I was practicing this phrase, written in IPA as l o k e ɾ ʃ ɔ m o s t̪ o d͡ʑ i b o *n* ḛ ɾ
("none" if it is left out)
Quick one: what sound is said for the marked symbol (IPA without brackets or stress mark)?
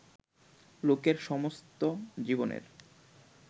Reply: n